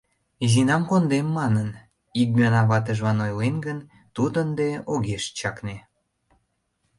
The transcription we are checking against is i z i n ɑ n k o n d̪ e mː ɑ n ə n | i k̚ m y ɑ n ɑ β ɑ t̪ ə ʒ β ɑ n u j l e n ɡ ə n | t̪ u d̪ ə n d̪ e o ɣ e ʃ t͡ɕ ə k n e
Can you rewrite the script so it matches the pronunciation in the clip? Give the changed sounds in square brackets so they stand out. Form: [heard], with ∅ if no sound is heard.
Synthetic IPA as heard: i z i n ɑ [m] k o n d̪ e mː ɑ n ə n | i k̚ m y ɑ n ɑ β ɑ t̪ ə ʒ β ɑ n [o] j l e n ɡ ə n | t̪ u d̪ ə n d̪ e o ɣ e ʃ t͡ɕ [ɑ] k n e